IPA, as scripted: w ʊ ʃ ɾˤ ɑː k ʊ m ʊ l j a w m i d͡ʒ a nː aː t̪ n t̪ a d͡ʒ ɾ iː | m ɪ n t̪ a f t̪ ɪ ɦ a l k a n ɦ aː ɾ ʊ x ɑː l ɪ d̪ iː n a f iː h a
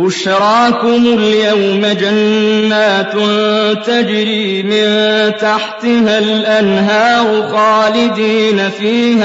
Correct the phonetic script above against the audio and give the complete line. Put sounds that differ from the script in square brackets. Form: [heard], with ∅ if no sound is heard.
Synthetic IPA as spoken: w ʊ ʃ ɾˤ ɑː k ʊ m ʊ l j a w m [a] d͡ʒ a nː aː t̪ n t̪ a d͡ʒ ɾ iː | m ɪ n t̪ a [ħ] t̪ ɪ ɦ a l [ʔ] a n ɦ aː ɾ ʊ x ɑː l ɪ d̪ iː n a f iː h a